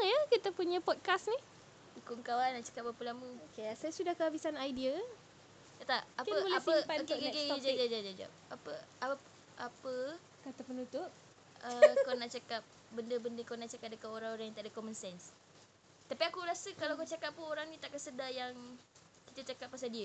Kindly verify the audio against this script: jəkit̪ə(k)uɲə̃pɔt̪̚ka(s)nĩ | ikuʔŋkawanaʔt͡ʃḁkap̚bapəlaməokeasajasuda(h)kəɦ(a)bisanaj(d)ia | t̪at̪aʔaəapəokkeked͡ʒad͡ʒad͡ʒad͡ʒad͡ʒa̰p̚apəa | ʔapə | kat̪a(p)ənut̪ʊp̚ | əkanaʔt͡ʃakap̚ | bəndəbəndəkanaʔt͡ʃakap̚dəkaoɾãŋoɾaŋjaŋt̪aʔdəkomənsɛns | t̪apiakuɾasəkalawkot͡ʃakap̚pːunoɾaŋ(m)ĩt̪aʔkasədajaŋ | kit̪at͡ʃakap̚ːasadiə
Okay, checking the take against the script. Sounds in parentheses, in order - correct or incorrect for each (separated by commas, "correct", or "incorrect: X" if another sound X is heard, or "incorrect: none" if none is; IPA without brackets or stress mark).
incorrect: p, correct, correct, correct, correct, correct, incorrect: n